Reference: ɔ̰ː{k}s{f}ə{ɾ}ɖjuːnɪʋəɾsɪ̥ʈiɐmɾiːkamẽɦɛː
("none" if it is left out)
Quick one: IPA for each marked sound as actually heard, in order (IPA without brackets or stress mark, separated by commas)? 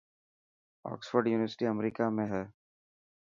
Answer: k, f, ɾ